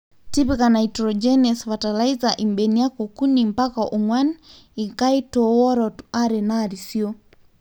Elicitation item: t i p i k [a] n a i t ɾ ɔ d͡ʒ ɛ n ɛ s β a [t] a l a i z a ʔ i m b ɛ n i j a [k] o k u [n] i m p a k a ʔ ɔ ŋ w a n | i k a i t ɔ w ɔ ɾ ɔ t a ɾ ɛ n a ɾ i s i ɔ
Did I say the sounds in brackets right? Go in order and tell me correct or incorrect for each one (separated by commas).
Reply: correct, correct, correct, correct